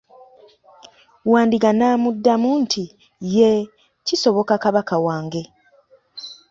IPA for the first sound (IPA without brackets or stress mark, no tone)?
w